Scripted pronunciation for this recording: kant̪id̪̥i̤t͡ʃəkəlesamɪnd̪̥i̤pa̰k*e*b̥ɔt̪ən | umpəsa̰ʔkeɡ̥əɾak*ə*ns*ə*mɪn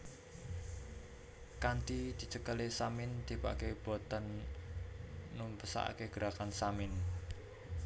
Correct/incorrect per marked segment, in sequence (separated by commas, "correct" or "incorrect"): correct, incorrect, incorrect